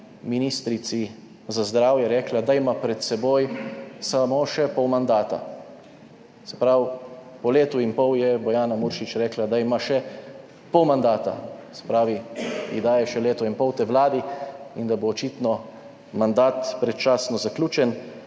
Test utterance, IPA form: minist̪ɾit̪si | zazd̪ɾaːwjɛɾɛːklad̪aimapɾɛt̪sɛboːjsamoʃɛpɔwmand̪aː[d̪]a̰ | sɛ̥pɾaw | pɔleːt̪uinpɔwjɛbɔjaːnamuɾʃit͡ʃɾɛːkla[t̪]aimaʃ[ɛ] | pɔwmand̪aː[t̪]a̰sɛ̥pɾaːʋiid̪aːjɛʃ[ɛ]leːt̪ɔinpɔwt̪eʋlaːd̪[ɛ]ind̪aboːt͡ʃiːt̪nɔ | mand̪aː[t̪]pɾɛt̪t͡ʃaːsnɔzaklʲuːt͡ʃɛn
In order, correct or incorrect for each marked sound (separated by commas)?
incorrect, incorrect, correct, correct, correct, incorrect, correct